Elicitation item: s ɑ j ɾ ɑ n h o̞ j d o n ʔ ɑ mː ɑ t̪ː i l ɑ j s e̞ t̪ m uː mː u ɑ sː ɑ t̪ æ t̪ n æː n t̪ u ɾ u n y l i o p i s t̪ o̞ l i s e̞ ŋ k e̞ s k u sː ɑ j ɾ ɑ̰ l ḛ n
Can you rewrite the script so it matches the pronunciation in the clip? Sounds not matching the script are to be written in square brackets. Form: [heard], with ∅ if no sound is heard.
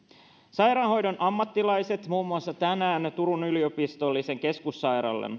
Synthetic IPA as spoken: s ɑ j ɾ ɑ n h o̞ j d o n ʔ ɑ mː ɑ t̪ː i l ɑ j s e̞ t̪ m uː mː u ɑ sː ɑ t̪ æ [∅] n æː n t̪ u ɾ u n y l i o p i s t̪ o̞ [lː] i s e̞ ŋ k e̞ s k u sː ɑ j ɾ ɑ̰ [lː] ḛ n